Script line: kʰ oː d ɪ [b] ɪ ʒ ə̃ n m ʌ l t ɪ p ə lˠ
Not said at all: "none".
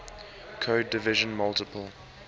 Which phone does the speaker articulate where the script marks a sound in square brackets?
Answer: v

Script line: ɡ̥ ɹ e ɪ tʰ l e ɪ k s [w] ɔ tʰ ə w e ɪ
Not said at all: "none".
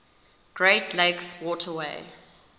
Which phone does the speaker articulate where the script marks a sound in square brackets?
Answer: w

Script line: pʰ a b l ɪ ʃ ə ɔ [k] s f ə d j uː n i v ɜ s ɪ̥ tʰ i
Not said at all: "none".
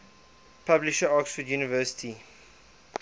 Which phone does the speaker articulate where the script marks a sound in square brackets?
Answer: k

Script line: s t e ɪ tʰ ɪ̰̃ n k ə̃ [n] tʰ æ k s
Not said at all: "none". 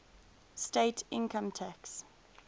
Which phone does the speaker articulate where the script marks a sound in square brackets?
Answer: m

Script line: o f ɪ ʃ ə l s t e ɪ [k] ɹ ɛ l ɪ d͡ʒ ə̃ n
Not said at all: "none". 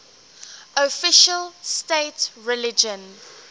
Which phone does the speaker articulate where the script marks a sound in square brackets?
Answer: t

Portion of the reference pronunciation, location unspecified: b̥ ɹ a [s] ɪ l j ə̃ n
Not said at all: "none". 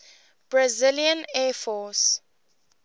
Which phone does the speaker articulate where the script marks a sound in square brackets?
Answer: z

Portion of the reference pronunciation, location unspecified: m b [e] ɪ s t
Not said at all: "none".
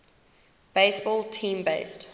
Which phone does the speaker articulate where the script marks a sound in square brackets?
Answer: e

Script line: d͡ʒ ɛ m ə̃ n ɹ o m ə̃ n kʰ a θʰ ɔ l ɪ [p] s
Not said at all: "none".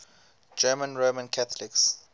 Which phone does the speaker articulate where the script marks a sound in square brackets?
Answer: k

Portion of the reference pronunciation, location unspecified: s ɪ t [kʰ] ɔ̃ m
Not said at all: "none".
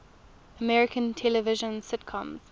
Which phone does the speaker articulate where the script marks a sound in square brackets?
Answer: kʰ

